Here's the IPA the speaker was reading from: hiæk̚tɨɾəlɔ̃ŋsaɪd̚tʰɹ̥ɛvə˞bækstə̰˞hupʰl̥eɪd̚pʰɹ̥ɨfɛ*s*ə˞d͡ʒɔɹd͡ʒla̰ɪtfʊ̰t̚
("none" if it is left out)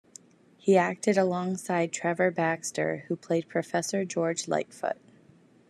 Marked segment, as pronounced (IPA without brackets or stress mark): s